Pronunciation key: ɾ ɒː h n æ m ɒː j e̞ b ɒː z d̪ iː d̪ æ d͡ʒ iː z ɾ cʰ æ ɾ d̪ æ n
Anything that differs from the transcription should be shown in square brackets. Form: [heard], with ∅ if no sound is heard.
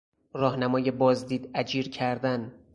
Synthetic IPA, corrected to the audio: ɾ ɒː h n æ m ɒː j e̞ b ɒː z d̪ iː d̪ æ d͡ʒ iː [∅] ɾ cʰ æ ɾ d̪ æ n